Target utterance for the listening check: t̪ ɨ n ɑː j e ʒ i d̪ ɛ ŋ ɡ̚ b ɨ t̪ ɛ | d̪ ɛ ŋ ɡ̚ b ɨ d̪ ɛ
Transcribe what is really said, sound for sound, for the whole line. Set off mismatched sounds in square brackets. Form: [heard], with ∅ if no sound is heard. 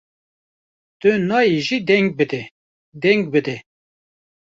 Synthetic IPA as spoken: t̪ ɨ n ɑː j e ʒ i d̪ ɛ ŋ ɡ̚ b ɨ [d̪] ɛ | d̪ ɛ ŋ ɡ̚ b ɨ d̪ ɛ